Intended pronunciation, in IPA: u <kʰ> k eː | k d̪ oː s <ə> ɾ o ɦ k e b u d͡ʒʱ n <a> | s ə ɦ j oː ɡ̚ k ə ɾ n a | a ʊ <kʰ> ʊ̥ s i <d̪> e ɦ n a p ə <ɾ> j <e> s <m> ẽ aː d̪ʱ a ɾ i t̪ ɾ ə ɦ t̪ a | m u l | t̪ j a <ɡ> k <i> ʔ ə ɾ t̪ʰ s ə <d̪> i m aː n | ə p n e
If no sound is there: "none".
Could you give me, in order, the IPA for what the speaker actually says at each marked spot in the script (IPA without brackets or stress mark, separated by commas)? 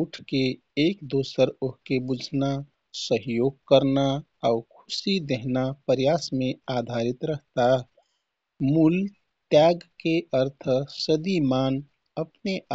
ʈʰ, ə, a, kʰ, d̪, ɾ, a, m, ɡ, e, d̪